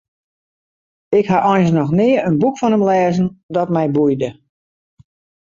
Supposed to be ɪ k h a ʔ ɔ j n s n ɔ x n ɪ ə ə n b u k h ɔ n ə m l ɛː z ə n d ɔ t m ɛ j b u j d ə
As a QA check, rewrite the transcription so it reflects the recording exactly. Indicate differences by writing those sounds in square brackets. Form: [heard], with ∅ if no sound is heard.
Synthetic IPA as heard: ɪ k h a ʔ ɔ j n s n ɔ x n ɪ ə ə n b u k [f] ɔ n ə m l ɛː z ə n d ɔ t m ɛ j b u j d ə